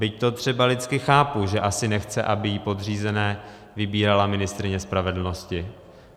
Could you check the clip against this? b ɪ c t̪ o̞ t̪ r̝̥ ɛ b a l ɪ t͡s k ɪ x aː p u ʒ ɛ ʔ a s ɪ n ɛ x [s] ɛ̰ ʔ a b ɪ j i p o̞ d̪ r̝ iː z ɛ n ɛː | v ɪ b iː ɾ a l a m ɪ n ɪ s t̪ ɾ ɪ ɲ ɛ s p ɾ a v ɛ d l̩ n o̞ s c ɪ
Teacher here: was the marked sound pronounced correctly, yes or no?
no